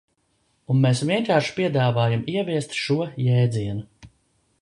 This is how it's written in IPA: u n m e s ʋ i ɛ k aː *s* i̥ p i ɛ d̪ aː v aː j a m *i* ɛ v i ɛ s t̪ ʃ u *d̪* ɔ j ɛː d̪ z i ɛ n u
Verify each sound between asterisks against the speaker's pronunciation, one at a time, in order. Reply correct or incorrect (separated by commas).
incorrect, correct, incorrect